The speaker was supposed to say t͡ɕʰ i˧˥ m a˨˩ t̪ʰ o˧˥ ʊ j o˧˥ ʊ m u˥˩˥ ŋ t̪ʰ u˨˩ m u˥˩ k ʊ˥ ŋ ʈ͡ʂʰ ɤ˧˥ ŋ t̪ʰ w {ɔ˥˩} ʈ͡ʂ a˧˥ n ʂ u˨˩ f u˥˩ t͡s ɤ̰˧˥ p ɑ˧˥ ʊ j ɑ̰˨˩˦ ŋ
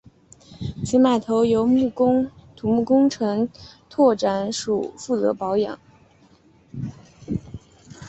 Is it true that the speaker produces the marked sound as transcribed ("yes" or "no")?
yes